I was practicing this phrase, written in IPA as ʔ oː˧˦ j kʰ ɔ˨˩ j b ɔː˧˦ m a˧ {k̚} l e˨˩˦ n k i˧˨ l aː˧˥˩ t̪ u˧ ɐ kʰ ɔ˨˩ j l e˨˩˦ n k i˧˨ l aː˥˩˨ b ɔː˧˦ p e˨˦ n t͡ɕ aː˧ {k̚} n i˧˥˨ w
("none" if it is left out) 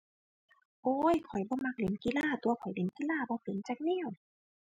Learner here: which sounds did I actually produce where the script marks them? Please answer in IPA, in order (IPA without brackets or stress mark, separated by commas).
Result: k̚, k̚